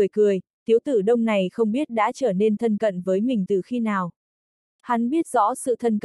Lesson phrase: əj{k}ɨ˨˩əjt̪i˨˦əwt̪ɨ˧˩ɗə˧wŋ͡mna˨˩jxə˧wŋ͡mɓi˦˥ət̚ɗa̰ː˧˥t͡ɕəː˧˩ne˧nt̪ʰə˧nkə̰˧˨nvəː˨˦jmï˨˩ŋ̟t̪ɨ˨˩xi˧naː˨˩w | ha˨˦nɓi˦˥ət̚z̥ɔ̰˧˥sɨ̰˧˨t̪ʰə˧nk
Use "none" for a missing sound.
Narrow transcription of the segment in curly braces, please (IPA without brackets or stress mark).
k